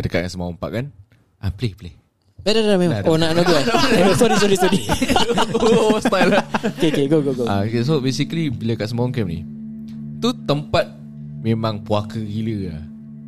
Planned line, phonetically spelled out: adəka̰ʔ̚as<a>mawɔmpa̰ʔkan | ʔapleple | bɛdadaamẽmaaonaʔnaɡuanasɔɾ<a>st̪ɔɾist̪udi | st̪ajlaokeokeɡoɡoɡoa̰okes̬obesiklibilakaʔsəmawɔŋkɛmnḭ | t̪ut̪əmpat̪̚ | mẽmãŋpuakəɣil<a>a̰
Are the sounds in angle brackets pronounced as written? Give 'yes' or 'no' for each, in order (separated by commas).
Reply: no, no, no